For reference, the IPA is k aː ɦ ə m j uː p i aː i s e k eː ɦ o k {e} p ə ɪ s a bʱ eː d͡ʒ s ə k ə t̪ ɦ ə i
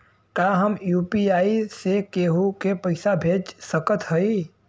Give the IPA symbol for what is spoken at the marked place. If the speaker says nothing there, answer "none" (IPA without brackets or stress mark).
e